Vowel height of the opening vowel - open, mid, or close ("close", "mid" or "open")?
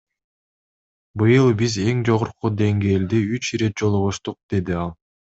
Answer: close